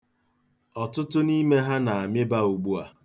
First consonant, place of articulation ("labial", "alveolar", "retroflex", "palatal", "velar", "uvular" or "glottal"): alveolar